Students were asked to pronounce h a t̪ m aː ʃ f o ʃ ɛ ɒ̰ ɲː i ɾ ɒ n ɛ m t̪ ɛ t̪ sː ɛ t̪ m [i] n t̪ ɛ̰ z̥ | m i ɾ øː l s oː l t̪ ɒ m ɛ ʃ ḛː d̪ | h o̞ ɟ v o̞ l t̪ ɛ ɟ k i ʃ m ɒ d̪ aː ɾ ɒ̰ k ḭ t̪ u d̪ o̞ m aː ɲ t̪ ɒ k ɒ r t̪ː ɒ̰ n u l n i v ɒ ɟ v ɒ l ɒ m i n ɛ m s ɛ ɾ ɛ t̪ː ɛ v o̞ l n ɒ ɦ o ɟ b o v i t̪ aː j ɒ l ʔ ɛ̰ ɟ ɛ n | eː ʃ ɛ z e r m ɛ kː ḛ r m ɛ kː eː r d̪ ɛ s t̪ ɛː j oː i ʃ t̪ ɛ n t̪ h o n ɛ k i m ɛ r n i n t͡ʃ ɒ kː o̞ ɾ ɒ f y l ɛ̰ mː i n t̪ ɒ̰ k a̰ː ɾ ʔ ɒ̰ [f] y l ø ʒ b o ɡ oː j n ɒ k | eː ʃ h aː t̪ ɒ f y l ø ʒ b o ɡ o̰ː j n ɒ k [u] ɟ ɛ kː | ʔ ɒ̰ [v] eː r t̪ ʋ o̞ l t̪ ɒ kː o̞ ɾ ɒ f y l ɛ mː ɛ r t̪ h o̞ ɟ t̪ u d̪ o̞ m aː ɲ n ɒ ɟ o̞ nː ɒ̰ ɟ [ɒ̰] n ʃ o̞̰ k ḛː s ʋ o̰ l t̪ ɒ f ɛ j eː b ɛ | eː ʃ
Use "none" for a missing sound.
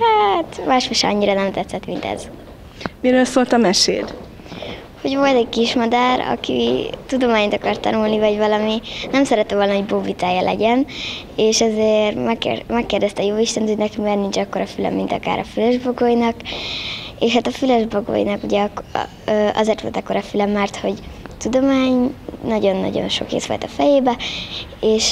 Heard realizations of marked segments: i, f, u, z, o̰

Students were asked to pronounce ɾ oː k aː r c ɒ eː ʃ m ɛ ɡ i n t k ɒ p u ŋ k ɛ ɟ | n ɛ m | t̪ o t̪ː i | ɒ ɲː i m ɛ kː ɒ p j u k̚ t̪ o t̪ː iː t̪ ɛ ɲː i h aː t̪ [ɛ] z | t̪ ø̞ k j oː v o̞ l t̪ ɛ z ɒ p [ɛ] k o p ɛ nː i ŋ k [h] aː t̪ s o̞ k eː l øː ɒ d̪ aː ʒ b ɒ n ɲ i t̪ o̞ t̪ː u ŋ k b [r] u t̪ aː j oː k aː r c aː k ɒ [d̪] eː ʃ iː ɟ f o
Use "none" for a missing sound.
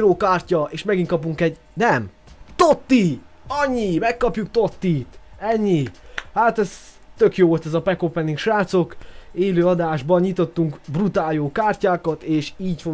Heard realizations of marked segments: ɛ, ɛ, ʃ, r, t̪

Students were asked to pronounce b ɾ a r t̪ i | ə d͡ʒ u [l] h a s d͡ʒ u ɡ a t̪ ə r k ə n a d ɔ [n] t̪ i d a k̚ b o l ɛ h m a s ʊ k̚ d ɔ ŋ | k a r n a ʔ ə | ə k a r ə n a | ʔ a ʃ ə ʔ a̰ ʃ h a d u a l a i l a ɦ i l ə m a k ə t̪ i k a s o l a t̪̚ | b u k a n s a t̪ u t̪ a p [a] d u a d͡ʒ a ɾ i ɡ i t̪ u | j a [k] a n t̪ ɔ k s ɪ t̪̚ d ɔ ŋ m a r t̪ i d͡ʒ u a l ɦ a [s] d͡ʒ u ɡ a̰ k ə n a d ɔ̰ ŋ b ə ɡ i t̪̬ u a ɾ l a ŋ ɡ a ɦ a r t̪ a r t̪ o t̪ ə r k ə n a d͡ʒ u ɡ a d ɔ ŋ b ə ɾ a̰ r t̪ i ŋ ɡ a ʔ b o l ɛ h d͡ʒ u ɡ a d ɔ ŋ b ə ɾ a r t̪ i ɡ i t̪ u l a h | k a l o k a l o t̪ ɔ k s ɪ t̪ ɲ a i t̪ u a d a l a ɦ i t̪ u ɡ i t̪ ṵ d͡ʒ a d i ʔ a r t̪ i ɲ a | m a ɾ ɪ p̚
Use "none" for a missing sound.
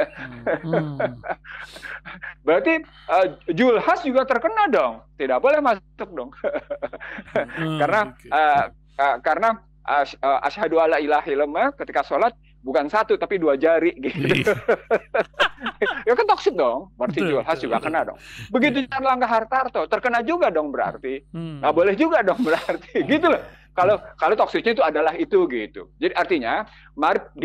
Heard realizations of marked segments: l, ŋ, i, k, s

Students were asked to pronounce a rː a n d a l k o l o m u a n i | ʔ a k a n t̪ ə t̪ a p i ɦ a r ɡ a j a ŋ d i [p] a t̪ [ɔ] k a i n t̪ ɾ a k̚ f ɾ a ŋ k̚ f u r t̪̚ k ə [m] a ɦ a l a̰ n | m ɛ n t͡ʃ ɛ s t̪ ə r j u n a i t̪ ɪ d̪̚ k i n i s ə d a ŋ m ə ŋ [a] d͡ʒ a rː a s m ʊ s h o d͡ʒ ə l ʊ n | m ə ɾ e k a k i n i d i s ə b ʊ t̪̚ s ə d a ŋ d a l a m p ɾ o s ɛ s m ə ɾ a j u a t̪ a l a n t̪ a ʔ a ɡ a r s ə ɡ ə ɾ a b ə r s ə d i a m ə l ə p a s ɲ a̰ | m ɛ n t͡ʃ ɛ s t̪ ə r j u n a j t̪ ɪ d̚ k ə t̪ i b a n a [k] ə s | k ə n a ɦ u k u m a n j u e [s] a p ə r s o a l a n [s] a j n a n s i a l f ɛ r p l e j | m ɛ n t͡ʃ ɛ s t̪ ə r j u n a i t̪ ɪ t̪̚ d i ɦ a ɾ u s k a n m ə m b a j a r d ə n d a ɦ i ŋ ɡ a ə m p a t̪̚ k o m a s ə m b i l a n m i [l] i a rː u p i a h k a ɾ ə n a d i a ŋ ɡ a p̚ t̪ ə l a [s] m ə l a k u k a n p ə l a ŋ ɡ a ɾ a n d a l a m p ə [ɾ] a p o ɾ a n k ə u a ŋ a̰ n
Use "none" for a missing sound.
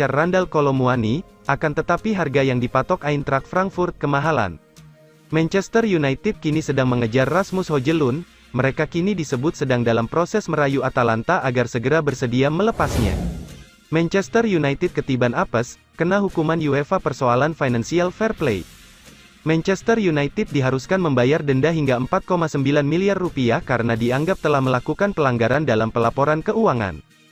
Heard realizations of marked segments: p, ɔ, m, ə, p, f, f, l, h, l

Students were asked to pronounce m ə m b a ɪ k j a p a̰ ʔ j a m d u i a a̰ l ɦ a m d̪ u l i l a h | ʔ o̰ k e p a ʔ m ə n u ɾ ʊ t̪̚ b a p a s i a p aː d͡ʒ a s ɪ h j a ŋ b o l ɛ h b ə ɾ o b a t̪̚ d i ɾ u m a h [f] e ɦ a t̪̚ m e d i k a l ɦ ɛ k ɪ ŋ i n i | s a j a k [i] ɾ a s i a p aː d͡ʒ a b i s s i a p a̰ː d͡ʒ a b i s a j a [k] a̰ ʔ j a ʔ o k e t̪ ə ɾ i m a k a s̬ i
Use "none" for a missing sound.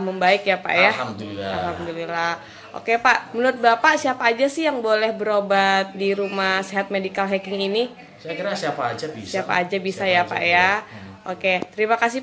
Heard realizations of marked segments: s, i, p

